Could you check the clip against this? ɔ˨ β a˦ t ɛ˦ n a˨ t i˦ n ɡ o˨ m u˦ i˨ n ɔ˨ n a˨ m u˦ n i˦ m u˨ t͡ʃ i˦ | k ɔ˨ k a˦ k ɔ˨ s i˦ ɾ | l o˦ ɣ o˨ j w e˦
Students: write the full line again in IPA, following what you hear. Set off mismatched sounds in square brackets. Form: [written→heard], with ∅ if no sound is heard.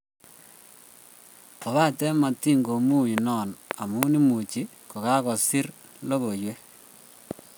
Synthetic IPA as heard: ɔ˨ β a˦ t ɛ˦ [n→m] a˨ t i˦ [n→ŋ] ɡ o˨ m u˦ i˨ n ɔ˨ n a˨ m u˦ n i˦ m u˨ t͡ʃ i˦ | k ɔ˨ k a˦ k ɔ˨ s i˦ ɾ | l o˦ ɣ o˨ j w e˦